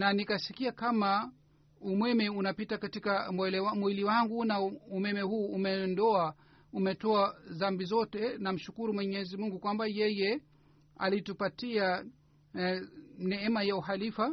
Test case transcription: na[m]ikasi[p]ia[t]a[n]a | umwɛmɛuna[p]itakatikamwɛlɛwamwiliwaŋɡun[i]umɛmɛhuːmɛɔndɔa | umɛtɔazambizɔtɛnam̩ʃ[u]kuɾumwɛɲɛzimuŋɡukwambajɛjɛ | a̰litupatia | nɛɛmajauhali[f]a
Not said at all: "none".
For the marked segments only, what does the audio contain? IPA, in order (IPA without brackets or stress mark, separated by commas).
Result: n, k, k, m, p, a, u, f